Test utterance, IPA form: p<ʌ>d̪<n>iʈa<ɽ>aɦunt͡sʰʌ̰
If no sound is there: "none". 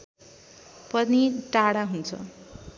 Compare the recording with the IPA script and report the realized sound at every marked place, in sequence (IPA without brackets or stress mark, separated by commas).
ʌ, n, ɽ